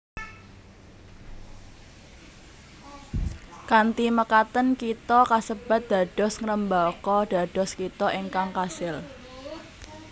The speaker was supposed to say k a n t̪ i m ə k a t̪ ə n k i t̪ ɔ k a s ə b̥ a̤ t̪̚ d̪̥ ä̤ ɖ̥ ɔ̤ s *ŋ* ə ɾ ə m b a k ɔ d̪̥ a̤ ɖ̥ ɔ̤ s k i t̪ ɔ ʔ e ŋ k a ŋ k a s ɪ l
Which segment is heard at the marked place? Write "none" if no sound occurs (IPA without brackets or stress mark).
ŋ